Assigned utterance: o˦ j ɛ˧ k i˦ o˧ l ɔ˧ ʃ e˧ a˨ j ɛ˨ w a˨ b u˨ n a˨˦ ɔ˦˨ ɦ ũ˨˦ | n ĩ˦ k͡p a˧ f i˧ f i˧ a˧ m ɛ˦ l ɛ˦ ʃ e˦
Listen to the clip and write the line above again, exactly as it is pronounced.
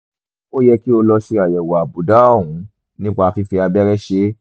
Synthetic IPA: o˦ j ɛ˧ k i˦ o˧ l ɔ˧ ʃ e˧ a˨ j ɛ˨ w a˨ b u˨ d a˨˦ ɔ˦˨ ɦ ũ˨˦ | n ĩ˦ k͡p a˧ f i˧ f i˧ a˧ b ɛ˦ ɾ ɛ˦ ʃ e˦

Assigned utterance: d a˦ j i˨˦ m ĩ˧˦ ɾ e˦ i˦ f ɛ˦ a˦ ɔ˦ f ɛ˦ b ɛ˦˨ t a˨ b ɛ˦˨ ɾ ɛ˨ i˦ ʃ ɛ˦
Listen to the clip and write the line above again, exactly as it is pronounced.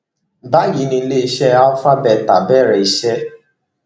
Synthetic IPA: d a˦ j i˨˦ n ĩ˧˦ l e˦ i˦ ʃ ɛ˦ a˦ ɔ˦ f a˦ b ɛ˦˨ t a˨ b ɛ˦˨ ɾ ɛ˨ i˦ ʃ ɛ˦

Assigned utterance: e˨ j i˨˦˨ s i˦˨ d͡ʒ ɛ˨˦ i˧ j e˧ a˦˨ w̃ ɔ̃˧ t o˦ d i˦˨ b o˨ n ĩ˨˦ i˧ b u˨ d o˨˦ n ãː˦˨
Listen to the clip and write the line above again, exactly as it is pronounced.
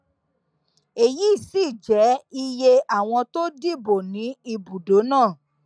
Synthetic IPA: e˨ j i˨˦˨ s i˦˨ d͡ʒ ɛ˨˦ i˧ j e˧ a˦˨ w̃ ɔ̃˧ t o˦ d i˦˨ b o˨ n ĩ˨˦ i˧ b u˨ d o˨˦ n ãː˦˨

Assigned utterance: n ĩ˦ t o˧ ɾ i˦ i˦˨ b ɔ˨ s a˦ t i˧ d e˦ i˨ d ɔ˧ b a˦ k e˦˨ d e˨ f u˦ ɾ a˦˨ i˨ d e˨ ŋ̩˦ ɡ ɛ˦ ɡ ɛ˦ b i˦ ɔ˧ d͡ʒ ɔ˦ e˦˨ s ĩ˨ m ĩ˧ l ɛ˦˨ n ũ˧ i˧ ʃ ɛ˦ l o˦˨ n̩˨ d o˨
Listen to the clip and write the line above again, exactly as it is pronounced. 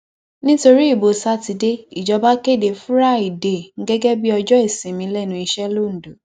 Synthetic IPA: n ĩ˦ t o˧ ɾ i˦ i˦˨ b o˨ s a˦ t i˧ d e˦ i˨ d͡ʒ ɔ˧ b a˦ k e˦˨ d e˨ f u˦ ɾ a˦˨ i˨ d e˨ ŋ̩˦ ɡ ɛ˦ ɡ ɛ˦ b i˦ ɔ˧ d͡ʒ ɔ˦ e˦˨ s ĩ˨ m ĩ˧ l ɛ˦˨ n ũ˧ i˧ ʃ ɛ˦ l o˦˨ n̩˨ d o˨

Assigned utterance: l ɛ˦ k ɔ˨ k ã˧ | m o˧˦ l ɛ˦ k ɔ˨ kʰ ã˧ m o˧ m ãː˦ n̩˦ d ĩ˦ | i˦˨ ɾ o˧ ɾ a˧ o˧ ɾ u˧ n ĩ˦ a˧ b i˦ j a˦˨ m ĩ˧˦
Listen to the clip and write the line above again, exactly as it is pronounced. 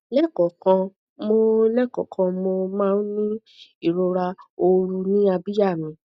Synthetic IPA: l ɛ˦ k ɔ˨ k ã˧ | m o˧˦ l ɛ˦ k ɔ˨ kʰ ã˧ m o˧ m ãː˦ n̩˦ n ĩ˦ | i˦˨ ɾ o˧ ɾ a˧ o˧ ɾ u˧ n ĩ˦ a˧ b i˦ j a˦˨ m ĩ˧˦

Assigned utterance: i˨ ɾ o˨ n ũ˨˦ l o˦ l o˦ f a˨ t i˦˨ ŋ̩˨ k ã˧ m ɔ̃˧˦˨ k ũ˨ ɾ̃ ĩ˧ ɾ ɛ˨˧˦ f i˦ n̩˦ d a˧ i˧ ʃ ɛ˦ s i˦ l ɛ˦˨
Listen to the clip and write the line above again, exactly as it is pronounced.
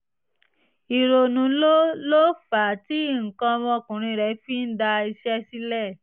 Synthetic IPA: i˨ ɾ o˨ n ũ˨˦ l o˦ l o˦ f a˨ t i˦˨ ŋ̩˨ k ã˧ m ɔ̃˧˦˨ k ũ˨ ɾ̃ ĩ˧ ɾ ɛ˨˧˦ f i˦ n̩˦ d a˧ i˧ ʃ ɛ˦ s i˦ l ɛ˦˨

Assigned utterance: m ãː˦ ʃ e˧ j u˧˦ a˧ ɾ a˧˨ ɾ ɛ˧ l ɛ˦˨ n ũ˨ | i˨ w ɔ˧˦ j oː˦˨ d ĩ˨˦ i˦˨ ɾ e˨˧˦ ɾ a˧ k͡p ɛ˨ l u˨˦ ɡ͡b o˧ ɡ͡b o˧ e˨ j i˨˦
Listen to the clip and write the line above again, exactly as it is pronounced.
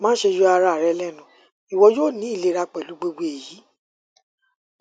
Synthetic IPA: m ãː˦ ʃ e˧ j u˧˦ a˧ ɾ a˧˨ ɾ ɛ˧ l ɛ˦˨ n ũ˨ | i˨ w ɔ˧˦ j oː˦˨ n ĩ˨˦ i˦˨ l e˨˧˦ ɾ a˧ k͡p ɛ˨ l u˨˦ ɡ͡b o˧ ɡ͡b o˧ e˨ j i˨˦

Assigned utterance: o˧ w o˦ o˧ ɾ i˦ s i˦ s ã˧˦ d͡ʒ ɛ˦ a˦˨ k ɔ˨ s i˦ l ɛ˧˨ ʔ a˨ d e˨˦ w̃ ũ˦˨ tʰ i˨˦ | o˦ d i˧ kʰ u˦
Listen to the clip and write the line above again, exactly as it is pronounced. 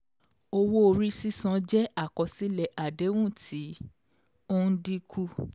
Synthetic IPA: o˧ w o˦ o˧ ɾ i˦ s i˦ s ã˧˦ d͡ʒ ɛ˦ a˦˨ k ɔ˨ s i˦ l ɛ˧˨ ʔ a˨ d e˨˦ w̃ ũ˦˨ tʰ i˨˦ | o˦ d i˧ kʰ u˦

